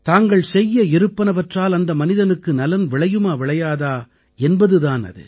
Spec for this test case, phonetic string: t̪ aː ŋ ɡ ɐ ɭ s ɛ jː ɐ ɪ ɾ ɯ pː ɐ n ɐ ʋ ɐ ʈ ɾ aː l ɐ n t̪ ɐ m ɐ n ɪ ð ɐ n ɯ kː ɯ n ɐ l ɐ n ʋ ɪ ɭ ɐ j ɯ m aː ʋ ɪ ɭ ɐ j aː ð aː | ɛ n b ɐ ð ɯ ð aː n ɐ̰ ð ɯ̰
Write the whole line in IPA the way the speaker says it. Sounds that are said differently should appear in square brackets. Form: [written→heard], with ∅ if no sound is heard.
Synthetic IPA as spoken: t̪ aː ŋ ɡ ɐ ɭ s ɛ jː ɐ ɪ ɾ ɯ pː ɐ n ɐ ʋ ɐ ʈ [ɾ→r] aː l ɐ n [t̪→d̪] ɐ m ɐ n ɪ ð ɐ n ɯ kː ɯ n ɐ l ɐ n ʋ ɪ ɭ ɐ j ɯ m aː ʋ ɪ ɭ ɐ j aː ð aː | ɛ n b ɐ ð ɯ ð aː n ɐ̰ ð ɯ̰